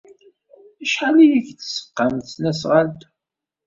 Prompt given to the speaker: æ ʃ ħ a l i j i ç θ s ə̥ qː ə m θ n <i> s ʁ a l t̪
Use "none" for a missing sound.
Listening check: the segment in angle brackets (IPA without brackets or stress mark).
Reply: æ